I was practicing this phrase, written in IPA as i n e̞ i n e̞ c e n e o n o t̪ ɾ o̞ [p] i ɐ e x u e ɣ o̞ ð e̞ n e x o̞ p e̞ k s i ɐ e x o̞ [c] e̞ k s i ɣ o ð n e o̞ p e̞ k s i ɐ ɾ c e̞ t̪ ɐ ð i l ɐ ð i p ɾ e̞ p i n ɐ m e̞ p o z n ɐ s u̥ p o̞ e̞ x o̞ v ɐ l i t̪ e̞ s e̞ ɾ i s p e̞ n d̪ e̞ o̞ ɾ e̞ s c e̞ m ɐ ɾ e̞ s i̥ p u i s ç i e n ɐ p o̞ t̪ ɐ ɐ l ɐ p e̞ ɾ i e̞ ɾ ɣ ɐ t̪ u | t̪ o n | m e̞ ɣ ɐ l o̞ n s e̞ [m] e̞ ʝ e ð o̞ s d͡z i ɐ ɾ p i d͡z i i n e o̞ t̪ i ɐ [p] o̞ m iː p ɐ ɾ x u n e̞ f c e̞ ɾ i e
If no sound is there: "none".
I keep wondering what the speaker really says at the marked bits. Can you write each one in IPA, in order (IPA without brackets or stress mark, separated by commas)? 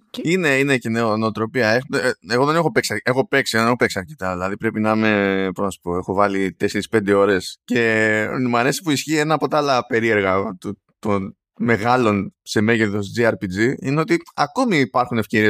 p, p, m, k